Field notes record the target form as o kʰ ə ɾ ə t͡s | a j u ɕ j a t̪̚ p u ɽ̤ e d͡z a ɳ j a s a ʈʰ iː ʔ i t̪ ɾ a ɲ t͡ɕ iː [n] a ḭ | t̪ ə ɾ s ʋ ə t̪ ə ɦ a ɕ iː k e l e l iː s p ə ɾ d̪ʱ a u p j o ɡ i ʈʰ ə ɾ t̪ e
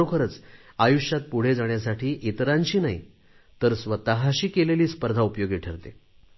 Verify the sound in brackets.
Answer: correct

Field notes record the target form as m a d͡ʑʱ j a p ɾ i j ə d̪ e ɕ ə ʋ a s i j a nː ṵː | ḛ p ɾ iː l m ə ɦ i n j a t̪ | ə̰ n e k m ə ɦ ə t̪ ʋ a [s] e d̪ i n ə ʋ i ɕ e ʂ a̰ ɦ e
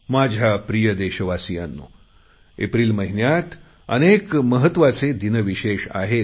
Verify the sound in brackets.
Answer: incorrect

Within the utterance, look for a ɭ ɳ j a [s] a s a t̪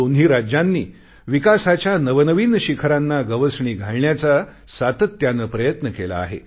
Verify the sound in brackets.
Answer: incorrect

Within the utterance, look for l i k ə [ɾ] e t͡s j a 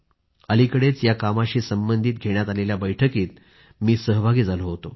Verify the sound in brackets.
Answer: incorrect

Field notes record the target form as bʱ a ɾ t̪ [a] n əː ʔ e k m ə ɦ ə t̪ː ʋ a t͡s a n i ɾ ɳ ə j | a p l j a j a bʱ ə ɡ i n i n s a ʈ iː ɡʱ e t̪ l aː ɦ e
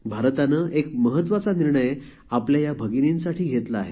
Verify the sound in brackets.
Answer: correct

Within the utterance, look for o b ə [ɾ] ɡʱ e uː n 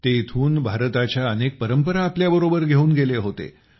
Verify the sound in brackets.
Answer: correct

